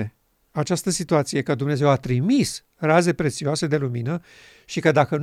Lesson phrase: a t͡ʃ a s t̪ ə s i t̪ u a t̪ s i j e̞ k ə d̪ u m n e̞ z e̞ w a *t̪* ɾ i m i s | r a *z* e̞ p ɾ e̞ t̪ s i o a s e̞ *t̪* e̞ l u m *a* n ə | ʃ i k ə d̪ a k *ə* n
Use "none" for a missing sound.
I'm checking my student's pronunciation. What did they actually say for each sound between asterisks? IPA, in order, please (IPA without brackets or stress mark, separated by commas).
t̪, z, d̪, i, ə